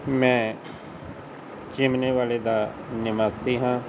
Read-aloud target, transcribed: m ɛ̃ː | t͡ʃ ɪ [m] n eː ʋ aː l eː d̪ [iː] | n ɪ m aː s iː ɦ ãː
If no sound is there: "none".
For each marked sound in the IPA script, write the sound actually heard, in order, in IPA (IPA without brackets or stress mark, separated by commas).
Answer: m, aː